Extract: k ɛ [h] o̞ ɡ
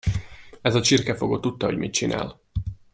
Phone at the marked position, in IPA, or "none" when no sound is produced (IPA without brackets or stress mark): f